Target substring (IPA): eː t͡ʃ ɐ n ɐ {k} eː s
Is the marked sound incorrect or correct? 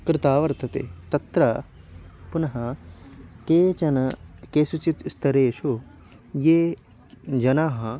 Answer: correct